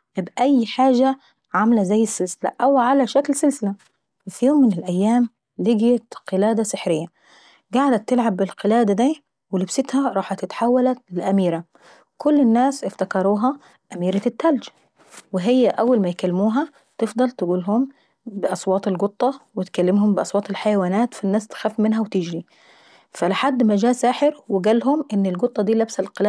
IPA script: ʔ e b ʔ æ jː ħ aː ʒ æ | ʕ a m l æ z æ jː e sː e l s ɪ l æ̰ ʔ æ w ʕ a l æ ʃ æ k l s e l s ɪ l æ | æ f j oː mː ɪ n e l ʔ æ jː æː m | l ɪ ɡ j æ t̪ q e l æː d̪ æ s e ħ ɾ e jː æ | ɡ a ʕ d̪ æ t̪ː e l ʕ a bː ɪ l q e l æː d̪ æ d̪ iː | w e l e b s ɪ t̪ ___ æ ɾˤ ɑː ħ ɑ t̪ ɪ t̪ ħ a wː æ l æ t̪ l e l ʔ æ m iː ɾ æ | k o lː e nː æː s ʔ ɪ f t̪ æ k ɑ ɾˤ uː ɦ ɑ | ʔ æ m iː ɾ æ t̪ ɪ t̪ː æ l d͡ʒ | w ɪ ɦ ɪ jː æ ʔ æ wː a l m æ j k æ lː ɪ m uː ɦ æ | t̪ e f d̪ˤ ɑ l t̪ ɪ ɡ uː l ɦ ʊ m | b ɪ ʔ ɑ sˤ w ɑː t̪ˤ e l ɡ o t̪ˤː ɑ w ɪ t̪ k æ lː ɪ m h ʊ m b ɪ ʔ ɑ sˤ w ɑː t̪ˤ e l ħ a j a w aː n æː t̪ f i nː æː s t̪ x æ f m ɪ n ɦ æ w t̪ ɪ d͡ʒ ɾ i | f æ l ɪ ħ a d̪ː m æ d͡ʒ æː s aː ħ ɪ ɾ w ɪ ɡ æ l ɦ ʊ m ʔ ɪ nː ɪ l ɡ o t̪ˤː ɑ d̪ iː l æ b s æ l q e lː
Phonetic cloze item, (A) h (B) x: A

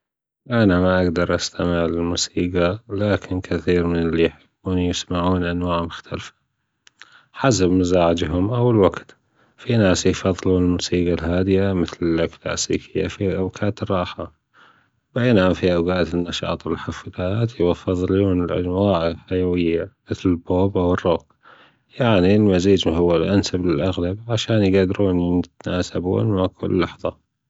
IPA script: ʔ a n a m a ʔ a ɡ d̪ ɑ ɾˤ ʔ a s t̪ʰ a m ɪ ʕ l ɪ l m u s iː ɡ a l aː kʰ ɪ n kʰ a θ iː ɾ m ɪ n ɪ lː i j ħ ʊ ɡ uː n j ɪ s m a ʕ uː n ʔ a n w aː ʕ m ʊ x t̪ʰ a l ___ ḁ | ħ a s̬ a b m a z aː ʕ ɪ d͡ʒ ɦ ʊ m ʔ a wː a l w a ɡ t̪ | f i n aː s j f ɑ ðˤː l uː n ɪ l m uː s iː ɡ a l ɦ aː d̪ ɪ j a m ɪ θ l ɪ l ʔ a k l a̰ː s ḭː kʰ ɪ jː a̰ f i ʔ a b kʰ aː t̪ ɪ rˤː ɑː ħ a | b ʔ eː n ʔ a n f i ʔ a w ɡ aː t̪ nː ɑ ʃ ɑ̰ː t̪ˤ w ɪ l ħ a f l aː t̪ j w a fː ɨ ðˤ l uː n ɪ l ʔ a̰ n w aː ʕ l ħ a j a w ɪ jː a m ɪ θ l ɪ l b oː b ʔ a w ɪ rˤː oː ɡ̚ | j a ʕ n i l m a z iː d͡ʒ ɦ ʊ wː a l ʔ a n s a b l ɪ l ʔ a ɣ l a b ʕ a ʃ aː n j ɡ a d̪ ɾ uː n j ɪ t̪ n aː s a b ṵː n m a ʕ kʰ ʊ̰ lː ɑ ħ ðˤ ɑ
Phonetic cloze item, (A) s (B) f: B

